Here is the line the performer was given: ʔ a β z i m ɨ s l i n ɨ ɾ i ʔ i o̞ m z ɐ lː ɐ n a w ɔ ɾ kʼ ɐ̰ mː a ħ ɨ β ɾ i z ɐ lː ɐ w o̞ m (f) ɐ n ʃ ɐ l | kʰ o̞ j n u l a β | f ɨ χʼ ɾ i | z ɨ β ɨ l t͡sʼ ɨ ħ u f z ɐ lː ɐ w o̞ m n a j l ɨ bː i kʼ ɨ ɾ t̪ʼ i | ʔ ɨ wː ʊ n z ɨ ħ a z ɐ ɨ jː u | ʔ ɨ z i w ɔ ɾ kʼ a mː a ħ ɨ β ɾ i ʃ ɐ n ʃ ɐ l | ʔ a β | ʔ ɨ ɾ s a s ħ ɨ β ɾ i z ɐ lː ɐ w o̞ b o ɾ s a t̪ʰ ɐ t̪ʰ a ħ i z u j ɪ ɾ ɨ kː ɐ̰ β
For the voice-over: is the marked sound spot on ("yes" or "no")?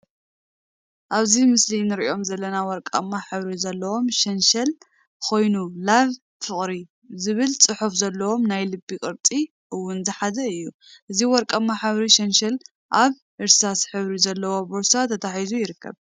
no